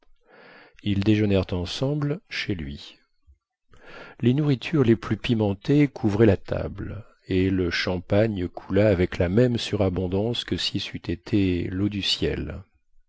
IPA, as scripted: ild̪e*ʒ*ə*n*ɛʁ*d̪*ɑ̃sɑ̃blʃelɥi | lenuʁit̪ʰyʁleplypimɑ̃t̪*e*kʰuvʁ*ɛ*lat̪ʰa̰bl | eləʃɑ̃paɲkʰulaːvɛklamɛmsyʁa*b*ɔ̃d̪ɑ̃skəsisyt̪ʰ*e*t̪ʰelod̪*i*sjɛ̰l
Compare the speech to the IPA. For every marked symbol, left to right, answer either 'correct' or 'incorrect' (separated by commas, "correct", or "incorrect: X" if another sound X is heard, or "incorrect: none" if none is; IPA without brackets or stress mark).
correct, correct, incorrect: t̪, correct, correct, correct, correct, incorrect: y